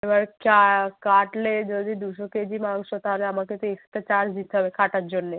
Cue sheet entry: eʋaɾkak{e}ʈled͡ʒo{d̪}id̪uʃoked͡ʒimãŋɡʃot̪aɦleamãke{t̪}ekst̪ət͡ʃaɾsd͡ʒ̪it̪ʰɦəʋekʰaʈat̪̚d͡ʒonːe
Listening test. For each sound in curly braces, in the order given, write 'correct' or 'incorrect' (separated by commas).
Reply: incorrect, correct, correct